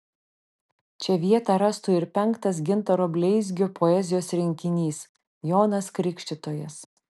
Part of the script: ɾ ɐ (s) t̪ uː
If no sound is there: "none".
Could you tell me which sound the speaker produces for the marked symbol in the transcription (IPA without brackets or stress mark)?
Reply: s